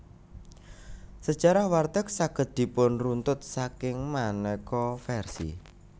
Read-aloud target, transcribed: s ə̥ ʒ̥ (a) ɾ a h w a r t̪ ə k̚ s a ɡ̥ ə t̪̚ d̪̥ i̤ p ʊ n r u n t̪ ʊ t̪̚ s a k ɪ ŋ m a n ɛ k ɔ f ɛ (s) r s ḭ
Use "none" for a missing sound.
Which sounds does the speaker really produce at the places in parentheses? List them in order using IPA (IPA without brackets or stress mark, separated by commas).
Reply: a, none